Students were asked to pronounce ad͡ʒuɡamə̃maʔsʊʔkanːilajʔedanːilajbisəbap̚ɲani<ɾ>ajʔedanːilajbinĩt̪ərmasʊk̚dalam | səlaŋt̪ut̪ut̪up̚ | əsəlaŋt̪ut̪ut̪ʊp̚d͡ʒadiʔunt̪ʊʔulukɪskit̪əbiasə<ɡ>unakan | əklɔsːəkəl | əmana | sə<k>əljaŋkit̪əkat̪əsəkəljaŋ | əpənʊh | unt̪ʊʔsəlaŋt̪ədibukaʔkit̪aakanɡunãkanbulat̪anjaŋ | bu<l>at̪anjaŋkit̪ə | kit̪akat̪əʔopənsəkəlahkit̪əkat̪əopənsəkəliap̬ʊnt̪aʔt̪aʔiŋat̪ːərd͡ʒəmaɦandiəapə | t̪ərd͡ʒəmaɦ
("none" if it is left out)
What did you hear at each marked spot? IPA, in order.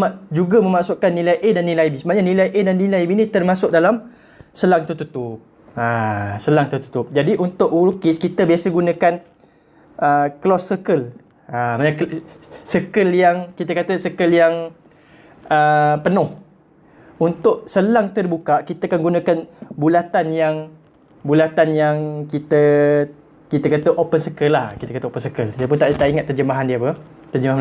l, ɡ, k, l

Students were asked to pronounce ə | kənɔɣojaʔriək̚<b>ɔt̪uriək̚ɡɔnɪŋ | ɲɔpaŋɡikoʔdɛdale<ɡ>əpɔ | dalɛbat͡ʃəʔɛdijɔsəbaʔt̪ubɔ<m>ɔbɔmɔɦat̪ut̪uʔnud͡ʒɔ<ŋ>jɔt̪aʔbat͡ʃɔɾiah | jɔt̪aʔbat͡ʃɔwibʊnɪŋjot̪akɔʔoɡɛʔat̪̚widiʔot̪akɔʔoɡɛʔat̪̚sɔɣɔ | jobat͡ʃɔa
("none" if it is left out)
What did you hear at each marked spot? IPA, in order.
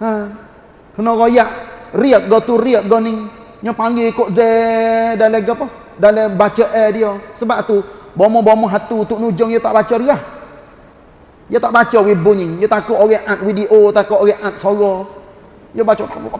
ɡ, ɡ, m, ŋ

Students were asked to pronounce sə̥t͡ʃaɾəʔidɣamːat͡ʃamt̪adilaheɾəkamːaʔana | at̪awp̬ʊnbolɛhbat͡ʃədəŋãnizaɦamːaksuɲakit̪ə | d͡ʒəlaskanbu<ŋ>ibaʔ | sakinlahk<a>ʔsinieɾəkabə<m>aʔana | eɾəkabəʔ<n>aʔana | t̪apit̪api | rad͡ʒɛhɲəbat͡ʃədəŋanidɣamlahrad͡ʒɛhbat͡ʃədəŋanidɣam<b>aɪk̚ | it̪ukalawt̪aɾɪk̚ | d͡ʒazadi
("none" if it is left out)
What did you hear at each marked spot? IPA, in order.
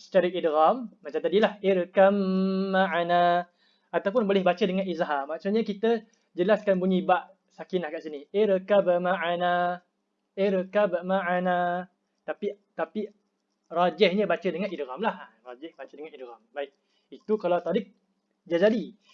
ɲ, a, m, m, b

